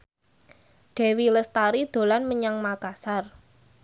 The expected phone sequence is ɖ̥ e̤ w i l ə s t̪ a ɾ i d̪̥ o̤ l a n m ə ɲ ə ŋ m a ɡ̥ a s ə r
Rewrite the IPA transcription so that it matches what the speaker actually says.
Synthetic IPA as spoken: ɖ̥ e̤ w i l ə s t̪ a ɾ i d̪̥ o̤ l a n m ə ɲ a ŋ m a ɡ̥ a s a r